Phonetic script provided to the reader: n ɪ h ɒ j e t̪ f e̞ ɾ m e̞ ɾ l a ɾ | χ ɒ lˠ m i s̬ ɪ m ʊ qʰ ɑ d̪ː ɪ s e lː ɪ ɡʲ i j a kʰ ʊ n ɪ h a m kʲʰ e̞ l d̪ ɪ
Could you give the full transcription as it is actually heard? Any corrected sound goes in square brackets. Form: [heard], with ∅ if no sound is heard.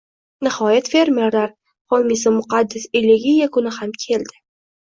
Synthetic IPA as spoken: n ɪ h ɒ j [a] t̪ f e̞ ɾ m e̞ ɾ l a ɾ | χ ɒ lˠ m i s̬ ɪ m ʊ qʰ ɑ d̪ː ɪ s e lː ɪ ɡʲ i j a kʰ ʊ n ɪ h a m kʲʰ e̞ l d̪ ɪ